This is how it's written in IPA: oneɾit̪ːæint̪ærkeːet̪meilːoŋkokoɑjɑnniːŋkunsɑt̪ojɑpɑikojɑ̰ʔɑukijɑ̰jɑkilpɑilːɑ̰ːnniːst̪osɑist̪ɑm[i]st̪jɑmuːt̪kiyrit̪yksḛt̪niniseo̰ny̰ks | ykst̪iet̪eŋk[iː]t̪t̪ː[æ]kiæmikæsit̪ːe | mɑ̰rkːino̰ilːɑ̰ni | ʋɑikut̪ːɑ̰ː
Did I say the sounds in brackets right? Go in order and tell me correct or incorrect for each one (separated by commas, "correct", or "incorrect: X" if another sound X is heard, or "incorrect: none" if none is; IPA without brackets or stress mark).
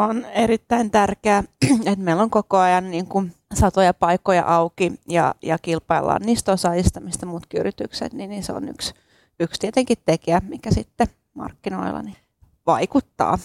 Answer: correct, incorrect: i, incorrect: e